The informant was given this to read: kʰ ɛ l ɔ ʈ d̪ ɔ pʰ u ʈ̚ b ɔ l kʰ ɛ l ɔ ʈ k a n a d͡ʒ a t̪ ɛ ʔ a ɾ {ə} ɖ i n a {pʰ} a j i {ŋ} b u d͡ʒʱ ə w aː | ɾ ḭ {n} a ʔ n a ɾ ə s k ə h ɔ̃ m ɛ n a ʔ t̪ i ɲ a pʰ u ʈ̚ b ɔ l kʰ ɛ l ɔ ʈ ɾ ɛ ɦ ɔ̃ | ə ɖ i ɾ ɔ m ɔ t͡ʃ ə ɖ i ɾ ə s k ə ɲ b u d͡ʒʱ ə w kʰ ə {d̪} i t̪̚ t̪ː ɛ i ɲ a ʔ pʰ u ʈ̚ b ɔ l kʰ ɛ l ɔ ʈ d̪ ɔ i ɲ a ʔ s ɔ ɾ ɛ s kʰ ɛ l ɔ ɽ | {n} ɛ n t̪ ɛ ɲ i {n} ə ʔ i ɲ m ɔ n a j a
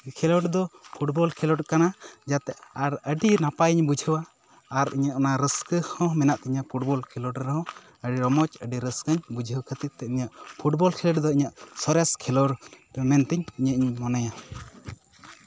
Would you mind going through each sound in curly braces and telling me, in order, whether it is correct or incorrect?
correct, incorrect: p, incorrect: ɲ, incorrect: ɲ, incorrect: t̪, incorrect: m, incorrect: ɲ

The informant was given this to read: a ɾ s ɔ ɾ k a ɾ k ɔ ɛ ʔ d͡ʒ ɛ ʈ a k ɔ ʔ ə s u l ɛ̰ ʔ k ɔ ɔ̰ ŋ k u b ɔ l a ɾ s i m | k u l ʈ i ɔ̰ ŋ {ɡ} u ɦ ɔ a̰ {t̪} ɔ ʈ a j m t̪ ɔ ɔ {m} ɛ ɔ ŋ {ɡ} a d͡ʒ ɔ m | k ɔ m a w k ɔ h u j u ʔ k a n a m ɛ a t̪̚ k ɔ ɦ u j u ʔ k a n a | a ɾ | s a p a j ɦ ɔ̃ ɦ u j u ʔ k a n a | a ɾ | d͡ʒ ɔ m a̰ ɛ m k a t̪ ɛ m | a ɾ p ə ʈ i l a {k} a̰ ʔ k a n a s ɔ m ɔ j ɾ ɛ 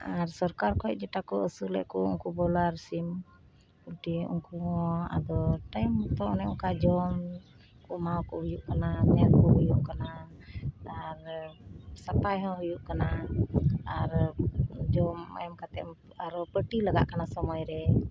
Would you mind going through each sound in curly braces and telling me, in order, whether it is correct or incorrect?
incorrect: k, incorrect: d̪, incorrect: n, incorrect: k, incorrect: ɡ

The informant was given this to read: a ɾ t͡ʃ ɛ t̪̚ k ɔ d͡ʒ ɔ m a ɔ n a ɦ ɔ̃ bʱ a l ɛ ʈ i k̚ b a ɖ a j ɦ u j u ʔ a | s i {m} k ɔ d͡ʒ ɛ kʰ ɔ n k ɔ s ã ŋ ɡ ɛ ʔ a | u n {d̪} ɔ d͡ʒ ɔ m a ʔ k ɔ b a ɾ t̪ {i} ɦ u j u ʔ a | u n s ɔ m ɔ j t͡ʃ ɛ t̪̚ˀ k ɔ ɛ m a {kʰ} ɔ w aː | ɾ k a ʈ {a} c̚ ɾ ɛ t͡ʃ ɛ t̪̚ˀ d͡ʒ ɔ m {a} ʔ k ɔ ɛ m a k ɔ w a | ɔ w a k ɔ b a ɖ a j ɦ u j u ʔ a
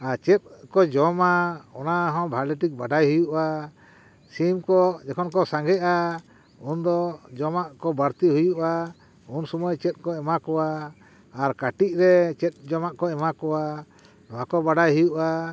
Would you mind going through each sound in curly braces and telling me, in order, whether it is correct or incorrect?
correct, correct, correct, incorrect: k, incorrect: i, correct

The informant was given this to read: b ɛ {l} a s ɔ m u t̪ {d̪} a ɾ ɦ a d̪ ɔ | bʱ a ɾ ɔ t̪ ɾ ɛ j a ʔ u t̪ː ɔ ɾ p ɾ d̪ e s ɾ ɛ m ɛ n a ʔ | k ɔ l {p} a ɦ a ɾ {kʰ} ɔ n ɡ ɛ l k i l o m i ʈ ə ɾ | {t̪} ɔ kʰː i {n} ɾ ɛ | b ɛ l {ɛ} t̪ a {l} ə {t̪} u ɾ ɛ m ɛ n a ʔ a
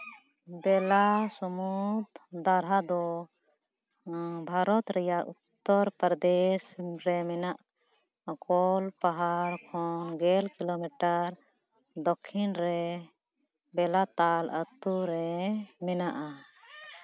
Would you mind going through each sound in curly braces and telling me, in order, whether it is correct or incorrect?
correct, correct, correct, correct, incorrect: d̪, correct, incorrect: a, correct, correct

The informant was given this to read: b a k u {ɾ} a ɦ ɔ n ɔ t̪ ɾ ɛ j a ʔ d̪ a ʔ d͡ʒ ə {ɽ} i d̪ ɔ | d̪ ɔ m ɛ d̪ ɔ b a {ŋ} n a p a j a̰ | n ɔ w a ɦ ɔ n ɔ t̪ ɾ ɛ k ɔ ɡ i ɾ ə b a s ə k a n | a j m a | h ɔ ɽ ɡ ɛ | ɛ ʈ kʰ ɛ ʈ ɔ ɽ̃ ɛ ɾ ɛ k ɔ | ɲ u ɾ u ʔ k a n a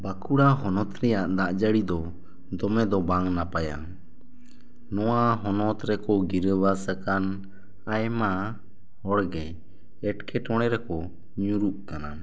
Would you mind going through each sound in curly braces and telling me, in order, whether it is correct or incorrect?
incorrect: ɽ, correct, correct

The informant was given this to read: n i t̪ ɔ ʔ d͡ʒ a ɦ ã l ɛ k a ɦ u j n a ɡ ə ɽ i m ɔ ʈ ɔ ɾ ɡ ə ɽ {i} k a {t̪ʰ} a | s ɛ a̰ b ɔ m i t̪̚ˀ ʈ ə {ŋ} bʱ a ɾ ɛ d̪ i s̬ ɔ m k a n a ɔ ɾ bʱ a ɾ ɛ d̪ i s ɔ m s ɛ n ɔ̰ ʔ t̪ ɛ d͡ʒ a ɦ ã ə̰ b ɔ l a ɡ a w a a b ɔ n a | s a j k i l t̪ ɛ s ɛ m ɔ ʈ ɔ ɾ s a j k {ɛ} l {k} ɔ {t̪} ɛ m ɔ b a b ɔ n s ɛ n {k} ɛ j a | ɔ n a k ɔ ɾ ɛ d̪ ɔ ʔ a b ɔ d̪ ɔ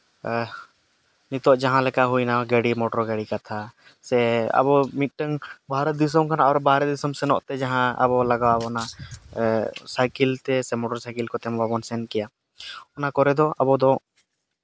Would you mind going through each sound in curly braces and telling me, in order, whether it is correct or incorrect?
correct, correct, correct, incorrect: i, correct, correct, correct

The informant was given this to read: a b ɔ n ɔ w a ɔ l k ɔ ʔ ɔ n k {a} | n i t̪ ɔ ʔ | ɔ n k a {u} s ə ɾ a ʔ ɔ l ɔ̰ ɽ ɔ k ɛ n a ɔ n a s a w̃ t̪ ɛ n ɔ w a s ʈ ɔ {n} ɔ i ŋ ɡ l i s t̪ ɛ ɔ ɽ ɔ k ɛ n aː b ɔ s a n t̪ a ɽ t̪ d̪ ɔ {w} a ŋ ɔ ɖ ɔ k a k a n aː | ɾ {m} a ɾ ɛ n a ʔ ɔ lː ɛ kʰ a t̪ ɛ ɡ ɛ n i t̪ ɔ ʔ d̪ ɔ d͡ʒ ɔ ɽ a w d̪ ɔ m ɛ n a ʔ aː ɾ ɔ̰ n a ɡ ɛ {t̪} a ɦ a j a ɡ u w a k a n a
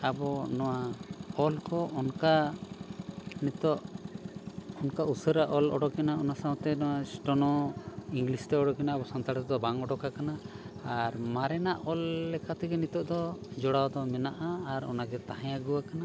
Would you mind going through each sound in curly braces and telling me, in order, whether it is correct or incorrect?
correct, correct, correct, incorrect: b, correct, correct

